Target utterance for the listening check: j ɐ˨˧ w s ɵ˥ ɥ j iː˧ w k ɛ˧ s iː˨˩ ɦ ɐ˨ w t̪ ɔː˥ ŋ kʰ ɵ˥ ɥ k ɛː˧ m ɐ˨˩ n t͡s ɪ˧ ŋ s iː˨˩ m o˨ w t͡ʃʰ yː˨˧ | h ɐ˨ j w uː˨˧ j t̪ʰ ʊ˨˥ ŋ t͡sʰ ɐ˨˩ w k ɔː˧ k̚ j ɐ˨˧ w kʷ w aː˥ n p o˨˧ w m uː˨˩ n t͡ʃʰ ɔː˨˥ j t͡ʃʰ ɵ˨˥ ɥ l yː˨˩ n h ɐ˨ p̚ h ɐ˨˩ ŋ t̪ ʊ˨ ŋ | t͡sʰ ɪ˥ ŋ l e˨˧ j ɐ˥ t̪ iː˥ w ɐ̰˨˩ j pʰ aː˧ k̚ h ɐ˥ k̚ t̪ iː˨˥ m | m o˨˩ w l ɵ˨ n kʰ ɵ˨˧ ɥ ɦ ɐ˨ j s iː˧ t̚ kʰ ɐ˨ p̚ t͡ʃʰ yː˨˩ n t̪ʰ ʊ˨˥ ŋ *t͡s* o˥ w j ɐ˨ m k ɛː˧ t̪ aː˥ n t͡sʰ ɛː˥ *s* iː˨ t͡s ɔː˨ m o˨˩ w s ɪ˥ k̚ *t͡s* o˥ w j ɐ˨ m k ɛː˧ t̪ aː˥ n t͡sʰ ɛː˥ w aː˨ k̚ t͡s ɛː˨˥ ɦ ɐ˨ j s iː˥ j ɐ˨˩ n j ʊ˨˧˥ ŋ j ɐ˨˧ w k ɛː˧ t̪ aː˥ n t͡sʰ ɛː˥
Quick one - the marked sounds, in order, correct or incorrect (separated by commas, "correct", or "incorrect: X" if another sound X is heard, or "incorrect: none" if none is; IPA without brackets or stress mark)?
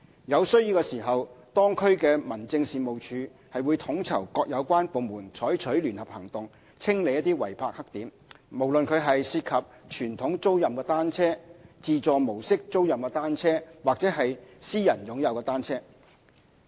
correct, incorrect: t͡s, correct